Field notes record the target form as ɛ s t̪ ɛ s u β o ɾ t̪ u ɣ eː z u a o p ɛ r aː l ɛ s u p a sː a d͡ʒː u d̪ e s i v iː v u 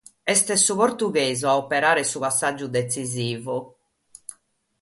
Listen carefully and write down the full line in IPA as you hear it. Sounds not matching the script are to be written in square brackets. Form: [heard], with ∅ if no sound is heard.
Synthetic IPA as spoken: ɛ s t̪ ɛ s u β o ɾ t̪ u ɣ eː z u a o p ɛ [ɾ] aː [ɾ] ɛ s u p a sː a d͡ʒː u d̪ e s i [z] iː v u